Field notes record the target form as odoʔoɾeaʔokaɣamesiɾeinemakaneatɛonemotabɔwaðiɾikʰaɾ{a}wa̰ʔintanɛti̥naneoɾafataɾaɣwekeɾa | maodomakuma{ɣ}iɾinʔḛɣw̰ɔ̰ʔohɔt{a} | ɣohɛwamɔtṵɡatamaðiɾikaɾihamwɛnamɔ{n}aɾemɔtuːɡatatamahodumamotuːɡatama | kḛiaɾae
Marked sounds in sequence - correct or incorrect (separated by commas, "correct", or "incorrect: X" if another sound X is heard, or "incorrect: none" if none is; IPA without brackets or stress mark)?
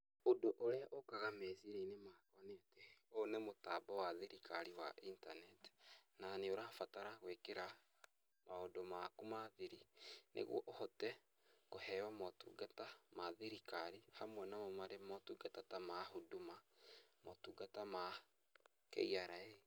incorrect: i, incorrect: ð, incorrect: ɛ, incorrect: m